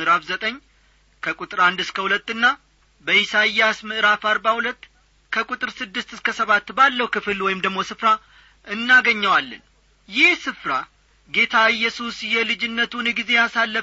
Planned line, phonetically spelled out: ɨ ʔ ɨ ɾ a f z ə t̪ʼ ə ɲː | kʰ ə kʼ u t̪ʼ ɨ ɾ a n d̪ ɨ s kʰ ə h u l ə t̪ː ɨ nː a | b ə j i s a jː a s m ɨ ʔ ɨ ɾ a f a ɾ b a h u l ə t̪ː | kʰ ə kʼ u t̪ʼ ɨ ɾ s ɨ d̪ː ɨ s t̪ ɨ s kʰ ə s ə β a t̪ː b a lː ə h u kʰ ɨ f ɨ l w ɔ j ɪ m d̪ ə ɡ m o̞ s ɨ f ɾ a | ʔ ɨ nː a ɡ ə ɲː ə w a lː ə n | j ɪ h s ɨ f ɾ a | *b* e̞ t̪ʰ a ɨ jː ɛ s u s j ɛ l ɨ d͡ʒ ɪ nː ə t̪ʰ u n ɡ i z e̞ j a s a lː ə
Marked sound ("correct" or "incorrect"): incorrect